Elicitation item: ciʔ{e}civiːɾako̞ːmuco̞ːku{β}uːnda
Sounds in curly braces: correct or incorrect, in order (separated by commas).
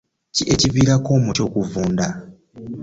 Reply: correct, incorrect